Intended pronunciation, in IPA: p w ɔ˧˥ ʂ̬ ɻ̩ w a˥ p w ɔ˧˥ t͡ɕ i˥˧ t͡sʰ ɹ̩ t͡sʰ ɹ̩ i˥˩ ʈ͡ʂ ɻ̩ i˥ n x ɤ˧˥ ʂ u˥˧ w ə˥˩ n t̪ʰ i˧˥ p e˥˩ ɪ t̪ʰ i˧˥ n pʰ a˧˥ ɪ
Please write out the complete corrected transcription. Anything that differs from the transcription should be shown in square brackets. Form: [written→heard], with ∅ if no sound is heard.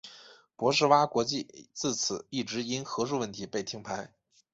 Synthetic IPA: p w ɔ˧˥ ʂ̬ ɻ̩ w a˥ [p→k] w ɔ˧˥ t͡ɕ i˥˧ [t͡sʰ→t͡s] ɹ̩ t͡sʰ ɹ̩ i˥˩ ʈ͡ʂ ɻ̩ i˥ n x ɤ˧˥ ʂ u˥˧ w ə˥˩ n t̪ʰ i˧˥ p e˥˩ ɪ t̪ʰ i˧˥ [n→ŋ] pʰ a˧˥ ɪ